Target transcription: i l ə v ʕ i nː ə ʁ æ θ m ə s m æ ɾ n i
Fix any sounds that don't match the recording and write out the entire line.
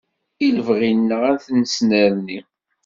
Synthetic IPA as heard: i l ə v ʁ i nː ə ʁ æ θ n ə s n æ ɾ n i